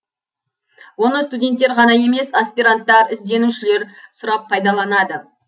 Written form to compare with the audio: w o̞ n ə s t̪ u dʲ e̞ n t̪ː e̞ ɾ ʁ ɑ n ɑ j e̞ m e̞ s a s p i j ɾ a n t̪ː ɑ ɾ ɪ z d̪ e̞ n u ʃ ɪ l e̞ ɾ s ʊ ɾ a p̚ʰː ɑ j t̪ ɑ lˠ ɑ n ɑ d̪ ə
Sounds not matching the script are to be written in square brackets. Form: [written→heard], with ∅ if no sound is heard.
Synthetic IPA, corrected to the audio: w o̞ n ə s t̪ u dʲ e̞ n t̪ː e̞ ɾ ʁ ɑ n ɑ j e̞ m e̞ s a s p i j ɾ a n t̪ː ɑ ɾ ɪ z d̪ e̞ n u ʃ ɪ l e̞ ɾ s ʊ ɾ [a→ɑ] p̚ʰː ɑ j [t̪→d̪] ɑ lˠ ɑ n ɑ d̪ ə